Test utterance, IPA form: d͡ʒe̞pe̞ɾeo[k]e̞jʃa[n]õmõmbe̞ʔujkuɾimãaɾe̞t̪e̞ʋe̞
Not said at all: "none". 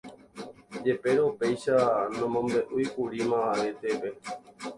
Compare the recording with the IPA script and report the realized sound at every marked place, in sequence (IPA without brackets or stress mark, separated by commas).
p, n